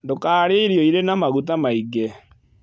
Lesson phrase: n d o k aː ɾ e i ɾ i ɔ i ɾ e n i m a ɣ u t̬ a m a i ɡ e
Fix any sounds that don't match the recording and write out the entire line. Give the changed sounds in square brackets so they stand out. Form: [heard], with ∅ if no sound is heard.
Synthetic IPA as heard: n d o k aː ɾ e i ɾ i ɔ i ɾ e n [a] m a ɣ u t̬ a m a i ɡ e